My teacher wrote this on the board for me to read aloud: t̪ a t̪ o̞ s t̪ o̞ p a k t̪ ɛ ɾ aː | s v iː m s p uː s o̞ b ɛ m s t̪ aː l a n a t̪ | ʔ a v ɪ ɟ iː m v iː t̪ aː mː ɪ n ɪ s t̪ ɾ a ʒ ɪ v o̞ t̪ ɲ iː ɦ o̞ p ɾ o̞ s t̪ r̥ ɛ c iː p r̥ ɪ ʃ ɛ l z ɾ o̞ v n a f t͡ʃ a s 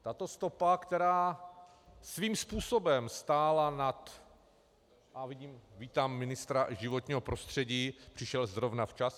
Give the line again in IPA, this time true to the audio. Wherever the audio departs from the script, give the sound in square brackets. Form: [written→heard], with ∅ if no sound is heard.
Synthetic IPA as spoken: t̪ a t̪ o̞ s t̪ o̞ p a k t̪ ɛ ɾ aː | s v iː m s p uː s o̞ b ɛ m s t̪ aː l a n a t̪ | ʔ a v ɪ ɟ iː m v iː t̪ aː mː ɪ n ɪ s t̪ ɾ a ʒ ɪ v o̞ t̪ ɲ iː ɦ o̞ p ɾ o̞ s t̪ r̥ ɛ [c→ɟ] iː p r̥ ɪ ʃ ɛ l z ɾ o̞ v n a f t͡ʃ a s